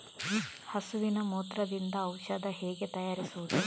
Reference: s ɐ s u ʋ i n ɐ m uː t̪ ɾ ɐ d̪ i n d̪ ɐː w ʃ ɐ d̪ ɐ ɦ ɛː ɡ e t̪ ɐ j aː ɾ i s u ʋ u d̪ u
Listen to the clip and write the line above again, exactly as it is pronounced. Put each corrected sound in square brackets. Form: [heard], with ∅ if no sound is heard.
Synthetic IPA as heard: [h] ɐ s u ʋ i n ɐ m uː t̪ ɾ ɐ d̪ i n d̪ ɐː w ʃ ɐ d̪ ɐ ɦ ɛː ɡ e t̪ ɐ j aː ɾ i s u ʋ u d̪ u

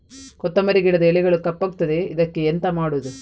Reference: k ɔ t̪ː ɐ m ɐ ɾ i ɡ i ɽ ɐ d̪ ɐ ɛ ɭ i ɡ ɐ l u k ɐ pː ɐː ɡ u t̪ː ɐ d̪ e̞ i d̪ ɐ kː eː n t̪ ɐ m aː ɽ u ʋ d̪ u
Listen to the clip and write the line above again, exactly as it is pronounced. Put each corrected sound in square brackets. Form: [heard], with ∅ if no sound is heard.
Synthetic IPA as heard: k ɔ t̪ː ɐ m ɐ ɾ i ɡ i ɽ ɐ d̪ ɐ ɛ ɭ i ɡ ɐ [ɭ] u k ɐ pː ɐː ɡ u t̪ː ɐ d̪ e̞ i d̪ ɐ kː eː n t̪ ɐ m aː ɽ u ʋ d̪ u

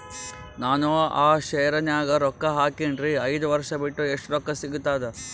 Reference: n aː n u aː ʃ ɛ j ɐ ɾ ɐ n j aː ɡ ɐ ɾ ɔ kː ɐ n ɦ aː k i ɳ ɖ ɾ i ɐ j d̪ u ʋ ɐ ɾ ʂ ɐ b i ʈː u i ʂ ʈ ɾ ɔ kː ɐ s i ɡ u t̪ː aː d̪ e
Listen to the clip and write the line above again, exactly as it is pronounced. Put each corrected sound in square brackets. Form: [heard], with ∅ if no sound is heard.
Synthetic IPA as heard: n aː n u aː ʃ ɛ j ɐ ɾ ɐ n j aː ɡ ɐ ɾ ɔ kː ɐ [∅] ɦ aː k i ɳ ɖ ɾ i ɐ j d̪ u ʋ ɐ ɾ ʂ ɐ b i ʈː u [e] ʂ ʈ ɾ ɔ kː ɐ s i ɡ u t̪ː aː d̪ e

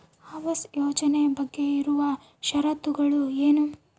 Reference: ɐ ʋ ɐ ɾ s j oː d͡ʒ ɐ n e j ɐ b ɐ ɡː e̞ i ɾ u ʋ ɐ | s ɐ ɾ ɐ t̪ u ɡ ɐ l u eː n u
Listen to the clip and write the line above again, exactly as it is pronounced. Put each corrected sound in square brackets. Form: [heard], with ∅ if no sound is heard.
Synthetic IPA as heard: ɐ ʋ ɐ [∅] s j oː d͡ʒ ɐ n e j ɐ b ɐ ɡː e̞ i ɾ u ʋ ɐ | [ʃ] ɐ ɾ ɐ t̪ u ɡ ɐ [ɭ] u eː n u

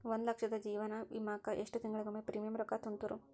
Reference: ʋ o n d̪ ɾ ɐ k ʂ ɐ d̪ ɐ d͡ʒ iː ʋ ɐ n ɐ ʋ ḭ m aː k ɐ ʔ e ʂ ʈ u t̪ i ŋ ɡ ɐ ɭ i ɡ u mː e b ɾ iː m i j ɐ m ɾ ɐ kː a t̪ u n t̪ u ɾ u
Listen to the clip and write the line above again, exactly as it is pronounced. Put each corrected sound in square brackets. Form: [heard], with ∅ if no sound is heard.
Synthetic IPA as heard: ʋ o n d̪ [l] ɐ k ʂ ɐ d̪ ɐ d͡ʒ iː ʋ ɐ n ɐ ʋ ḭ m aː k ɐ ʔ e ʂ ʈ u t̪ i ŋ ɡ ɐ ɭ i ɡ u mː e [p] ɾ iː m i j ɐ m ɾ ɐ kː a t̪ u n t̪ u ɾ u

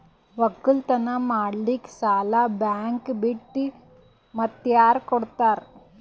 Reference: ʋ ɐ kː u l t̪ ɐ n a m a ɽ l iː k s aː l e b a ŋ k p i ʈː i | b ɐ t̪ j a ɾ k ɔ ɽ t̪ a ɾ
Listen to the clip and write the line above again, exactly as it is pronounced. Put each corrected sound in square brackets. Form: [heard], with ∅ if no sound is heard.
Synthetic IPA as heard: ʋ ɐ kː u l t̪ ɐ n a m a ɽ l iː k s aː l [a] b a ŋ k [b] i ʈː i | [m] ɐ t̪ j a ɾ k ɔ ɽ t̪ a ɾ

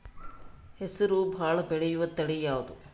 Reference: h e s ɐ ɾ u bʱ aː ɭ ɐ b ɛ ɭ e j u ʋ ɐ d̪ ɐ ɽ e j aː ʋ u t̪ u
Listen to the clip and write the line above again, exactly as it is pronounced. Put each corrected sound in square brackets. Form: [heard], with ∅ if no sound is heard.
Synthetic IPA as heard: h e s ɐ ɾ u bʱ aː ɭ ɐ b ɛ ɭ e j u ʋ ɐ [t̪] ɐ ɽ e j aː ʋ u [d̪] u

